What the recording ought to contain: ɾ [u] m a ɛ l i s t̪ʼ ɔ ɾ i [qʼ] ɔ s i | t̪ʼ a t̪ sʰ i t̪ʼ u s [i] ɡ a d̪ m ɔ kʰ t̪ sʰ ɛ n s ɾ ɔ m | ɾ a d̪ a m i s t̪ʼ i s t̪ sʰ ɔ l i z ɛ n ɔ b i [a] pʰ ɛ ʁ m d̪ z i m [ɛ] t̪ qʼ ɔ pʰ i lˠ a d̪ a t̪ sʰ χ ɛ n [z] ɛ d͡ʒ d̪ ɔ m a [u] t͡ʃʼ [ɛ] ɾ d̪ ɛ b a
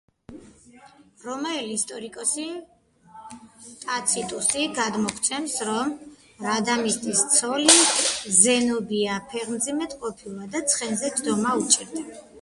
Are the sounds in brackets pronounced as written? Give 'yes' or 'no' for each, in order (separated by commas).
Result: no, no, yes, yes, yes, yes, yes, no